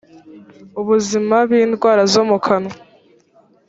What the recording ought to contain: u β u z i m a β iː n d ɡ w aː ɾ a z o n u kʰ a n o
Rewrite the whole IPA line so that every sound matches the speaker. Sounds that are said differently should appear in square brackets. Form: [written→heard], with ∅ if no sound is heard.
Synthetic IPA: u β u z i m a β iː n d ɡ w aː ɾ a z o [n→m] u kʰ a n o